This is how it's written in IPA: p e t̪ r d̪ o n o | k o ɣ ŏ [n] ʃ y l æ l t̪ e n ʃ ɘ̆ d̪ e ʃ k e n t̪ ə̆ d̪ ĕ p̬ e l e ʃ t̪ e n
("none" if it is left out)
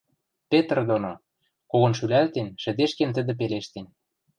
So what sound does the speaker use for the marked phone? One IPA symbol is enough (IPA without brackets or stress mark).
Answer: n